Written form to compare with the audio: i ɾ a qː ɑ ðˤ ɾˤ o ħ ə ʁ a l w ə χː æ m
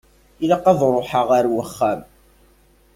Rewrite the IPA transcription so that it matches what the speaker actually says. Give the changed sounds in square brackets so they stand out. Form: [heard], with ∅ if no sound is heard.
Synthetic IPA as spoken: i [l] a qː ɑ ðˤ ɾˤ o ħ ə ʁ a [ɾ] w ə χː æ m

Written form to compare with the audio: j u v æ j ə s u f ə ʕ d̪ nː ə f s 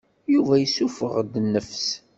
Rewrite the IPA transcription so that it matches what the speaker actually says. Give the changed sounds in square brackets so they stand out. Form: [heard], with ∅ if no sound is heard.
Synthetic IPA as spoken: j u v æ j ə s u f ə [ʁ] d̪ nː ə f s

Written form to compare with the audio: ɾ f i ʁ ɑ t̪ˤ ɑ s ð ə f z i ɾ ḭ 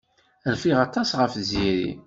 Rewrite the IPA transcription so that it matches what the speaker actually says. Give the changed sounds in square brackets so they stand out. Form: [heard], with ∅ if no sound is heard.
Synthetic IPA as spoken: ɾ f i ʁ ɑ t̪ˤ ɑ s [ʁ] ə f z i ɾ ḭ

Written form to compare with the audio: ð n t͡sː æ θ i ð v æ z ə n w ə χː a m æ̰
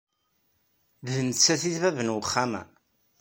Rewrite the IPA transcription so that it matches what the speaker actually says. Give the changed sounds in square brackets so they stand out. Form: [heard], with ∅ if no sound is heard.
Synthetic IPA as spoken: ð n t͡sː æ θ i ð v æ [v] ə n w ə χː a m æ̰

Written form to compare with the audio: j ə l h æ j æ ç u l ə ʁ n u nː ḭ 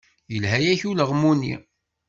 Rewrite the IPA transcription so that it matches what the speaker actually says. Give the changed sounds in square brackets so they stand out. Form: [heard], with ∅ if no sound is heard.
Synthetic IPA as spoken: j ə l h æ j æ ç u l ə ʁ [m] u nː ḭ

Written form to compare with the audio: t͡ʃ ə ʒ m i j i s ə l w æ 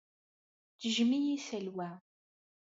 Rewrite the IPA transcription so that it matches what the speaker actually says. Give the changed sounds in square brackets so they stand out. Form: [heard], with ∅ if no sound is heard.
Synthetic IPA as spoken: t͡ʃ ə ʒ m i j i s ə l w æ

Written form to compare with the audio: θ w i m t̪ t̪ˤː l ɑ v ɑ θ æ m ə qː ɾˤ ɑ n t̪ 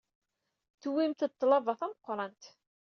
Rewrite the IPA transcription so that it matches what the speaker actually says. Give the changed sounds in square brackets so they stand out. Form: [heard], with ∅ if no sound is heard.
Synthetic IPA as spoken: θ w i m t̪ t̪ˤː l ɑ v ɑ θ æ m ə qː ɾˤ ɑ n t̪

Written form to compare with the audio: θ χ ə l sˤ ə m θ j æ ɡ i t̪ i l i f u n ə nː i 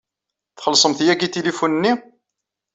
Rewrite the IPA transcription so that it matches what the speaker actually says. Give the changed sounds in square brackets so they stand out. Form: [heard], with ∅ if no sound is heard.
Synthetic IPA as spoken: θ χ ə l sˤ ə m θ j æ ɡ i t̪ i l i f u n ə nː i

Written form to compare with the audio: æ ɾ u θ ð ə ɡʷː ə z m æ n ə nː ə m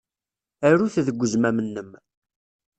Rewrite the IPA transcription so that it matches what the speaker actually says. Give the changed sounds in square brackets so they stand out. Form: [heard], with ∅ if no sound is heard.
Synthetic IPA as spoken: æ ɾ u θ ð ə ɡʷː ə z m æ [m] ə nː ə m

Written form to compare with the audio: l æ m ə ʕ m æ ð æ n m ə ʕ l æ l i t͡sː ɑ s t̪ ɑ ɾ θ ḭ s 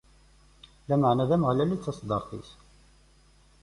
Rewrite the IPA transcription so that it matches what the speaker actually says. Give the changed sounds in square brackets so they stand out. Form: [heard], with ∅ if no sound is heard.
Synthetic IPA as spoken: l æ m ə ʕ [n] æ ð æ [∅] m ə [ʁ] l æ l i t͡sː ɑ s [d̪] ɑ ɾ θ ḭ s

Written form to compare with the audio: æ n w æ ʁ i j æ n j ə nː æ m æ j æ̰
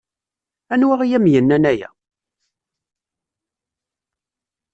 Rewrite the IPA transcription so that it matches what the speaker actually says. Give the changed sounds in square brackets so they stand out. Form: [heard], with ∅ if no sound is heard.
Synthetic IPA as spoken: æ n w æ ʁ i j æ [m] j ə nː æ [n] æ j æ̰

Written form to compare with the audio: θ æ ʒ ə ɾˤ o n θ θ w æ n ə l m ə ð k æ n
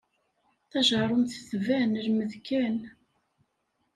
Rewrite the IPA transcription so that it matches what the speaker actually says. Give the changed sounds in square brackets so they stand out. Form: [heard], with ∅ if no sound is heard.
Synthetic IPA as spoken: θ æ ʒ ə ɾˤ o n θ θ [v] æ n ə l m ə ð k æ n

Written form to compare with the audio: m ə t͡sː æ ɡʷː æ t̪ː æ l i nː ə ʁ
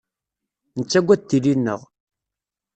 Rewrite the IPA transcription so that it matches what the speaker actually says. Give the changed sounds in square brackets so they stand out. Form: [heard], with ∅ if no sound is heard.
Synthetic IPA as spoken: [n] ə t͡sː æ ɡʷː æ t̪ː [i] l i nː ə ʁ

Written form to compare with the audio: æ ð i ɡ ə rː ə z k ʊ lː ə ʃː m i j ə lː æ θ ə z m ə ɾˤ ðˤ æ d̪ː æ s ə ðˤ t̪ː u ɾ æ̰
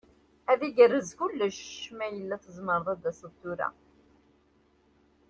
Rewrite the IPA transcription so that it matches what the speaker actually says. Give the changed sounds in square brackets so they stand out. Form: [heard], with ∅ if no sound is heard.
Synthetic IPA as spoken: æ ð i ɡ ə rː ə z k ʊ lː ə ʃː m [æ] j ə lː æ θ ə z m ə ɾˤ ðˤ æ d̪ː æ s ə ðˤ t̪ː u ɾ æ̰

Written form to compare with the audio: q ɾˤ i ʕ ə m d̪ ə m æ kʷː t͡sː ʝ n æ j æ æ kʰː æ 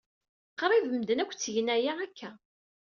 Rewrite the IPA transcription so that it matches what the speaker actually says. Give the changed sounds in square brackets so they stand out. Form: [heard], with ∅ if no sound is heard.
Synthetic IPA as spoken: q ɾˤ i [v] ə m d̪ ə [n] æ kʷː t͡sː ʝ n æ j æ æ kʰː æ

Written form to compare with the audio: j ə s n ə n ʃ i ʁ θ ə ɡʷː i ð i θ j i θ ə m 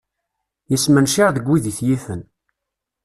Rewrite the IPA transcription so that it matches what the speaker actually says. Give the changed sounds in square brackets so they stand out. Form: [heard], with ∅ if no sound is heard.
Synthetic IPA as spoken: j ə s [m] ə n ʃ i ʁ [ð] ə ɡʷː i ð i θ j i θ ə [n]

